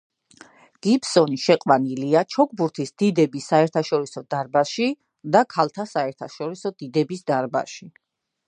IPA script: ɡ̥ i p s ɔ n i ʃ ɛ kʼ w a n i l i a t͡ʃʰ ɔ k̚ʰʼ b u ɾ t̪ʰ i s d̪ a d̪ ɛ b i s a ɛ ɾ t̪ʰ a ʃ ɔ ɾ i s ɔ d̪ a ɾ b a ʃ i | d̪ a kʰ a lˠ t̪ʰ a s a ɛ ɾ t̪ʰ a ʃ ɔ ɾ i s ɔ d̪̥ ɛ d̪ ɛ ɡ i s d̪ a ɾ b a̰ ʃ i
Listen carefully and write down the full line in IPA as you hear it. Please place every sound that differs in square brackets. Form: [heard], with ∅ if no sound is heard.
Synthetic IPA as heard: ɡ̥ i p s ɔ n i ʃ ɛ [qʼ] w a n i l i a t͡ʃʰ ɔ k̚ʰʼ b u ɾ t̪ʰ i s d̪ [i] d̪ ɛ b i s a ɛ ɾ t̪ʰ a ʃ ɔ ɾ i s ɔ d̪ a ɾ b a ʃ i | d̪ a kʰ a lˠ t̪ʰ a s a ɛ ɾ t̪ʰ a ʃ ɔ ɾ i s ɔ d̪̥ [i] d̪ ɛ [b] i s d̪ a ɾ b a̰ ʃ i